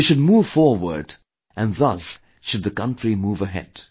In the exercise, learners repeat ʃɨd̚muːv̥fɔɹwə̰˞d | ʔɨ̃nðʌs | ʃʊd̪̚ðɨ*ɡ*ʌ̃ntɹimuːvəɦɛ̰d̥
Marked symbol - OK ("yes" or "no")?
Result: no